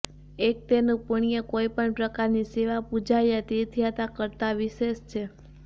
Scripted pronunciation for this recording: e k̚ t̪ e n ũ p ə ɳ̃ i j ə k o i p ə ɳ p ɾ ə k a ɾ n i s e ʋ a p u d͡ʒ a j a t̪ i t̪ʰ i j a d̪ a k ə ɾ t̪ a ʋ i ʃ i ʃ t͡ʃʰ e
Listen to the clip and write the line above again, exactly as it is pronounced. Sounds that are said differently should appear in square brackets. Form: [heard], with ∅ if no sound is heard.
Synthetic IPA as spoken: e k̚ t̪ e n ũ p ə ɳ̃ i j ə k o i p ə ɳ p ɾ ə k a ɾ n i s e ʋ a p u d͡ʒ a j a t̪ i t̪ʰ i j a [t̪] a k ə ɾ t̪ a ʋ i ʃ [e] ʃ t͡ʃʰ e